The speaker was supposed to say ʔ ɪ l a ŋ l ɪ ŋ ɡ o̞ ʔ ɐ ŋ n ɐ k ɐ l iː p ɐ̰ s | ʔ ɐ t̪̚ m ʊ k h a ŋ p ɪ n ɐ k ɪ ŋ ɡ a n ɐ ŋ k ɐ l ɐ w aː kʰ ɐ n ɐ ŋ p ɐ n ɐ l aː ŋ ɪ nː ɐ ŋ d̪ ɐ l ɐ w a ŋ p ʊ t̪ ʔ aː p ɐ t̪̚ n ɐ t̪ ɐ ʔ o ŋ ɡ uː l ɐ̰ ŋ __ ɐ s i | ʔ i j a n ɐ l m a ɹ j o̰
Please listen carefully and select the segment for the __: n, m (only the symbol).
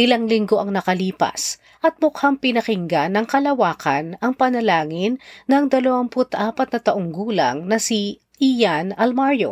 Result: n